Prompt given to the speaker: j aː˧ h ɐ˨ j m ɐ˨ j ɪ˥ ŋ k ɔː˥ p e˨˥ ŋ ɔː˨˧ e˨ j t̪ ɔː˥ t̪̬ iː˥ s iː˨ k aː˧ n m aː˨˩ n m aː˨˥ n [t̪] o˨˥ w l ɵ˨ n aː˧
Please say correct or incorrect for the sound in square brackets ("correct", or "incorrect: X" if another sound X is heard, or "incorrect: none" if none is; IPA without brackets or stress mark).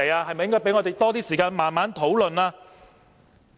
incorrect: t̪ʰ